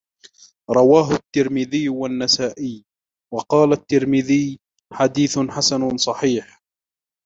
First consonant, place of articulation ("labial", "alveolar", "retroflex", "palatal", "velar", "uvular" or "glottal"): alveolar